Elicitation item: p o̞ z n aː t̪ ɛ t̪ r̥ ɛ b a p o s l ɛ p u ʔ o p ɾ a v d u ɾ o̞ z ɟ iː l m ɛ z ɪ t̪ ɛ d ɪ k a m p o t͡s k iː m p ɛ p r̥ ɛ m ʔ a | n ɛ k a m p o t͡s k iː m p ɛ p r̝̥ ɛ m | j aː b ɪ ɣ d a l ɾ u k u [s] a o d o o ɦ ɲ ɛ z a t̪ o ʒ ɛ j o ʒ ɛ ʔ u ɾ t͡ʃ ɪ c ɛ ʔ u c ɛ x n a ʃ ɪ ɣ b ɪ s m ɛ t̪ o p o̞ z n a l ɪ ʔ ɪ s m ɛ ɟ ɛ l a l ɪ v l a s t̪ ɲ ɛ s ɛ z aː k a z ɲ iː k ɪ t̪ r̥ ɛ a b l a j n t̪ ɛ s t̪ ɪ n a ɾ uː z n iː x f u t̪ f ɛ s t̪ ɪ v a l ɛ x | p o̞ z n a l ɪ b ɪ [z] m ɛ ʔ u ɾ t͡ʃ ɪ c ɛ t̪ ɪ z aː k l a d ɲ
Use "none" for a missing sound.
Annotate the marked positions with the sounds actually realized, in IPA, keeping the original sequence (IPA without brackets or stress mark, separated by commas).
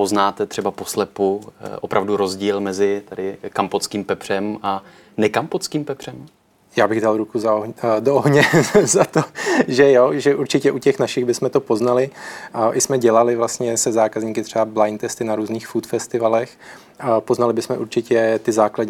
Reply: z, s